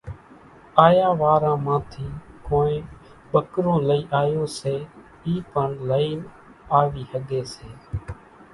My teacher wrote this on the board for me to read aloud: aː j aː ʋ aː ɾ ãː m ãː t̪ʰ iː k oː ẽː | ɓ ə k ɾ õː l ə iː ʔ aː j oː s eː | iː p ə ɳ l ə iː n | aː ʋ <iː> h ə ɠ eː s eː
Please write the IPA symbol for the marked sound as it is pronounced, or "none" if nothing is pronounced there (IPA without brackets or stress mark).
iː